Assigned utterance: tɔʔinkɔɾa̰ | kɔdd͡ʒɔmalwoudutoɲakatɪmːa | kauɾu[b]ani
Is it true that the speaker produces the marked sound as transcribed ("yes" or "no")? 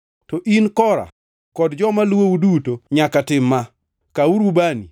yes